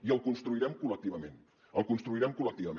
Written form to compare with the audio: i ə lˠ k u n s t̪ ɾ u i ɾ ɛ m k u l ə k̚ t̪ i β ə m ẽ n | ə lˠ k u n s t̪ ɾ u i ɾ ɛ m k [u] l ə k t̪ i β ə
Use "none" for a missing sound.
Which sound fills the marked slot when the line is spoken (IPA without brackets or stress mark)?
u